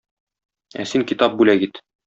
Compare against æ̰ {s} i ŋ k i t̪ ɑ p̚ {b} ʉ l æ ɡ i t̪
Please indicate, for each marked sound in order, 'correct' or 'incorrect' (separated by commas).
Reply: correct, correct